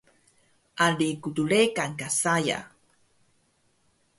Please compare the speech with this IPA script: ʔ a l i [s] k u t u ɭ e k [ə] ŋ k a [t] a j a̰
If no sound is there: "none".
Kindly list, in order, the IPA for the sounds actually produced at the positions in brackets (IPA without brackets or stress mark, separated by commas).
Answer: none, a, s